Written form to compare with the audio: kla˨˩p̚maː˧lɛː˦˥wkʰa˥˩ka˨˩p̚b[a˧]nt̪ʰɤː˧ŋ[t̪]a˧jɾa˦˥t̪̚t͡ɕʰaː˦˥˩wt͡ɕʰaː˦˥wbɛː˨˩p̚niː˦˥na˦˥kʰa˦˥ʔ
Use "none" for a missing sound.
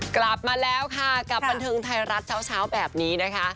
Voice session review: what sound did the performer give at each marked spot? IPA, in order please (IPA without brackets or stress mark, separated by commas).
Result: a˧, t̪ʰ